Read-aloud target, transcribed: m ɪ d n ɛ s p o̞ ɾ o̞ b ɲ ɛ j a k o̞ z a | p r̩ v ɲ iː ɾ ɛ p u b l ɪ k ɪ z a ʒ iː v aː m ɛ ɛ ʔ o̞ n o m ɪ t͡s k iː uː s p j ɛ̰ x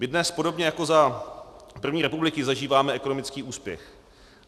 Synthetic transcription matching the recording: m ɪ d n ɛ s p o̞ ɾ o̞ b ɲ ɛ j a k o̞ z a | p r̩ v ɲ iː ɾ ɛ p u b l ɪ k ɪ z a ʒ iː v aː m ɛ ɛ k o̞ n o m ɪ t͡s k iː uː s p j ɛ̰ x